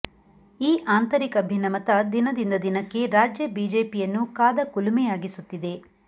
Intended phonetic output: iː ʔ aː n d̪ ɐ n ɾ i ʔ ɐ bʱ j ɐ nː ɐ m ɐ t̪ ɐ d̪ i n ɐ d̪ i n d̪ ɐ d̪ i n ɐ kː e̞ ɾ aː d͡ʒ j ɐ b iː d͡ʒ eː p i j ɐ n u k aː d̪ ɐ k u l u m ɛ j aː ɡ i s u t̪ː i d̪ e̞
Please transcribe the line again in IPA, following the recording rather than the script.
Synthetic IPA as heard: iː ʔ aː n t̪ ɐ ɾ i k ɐ bʱ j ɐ n ɐ m ɐ t̪ ɐ d̪ i n ɐ d̪ i n d̪ ɐ d̪ i n ɐ kː e̞ ɾ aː d͡ʒ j ɐ b iː d͡ʒ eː p i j ɐ nː u k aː d̪ ɐ k u l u m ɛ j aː ɡ i s u t̪ː i d̪ e̞